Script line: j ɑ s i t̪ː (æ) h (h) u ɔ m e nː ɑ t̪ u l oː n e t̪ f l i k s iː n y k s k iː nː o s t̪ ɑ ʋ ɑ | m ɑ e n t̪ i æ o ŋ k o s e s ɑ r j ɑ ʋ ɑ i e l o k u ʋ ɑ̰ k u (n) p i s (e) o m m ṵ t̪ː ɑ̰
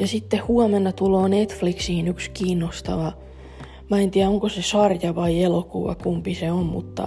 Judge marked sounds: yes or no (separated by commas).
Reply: no, yes, no, yes